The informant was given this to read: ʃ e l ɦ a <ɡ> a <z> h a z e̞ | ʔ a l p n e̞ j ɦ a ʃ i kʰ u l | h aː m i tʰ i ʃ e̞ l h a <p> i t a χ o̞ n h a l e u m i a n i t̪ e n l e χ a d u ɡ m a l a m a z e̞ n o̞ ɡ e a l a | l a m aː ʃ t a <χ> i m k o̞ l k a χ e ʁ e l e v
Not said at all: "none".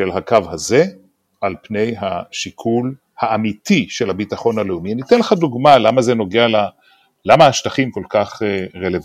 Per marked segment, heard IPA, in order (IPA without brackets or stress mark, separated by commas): k, v, b, χ